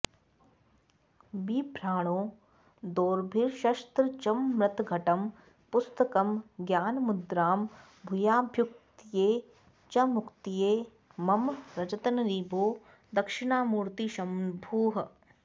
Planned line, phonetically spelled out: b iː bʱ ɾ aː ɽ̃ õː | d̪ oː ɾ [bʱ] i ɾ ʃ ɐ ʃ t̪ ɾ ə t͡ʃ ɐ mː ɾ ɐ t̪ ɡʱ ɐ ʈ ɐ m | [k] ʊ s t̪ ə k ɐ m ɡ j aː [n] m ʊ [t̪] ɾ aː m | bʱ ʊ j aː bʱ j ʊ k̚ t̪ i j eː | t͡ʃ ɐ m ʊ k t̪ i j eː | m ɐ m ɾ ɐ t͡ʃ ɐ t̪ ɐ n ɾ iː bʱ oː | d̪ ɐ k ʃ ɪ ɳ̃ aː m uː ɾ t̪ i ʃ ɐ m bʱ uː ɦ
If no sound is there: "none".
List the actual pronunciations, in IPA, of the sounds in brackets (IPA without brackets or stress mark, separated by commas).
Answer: bʱ, p, n, d̪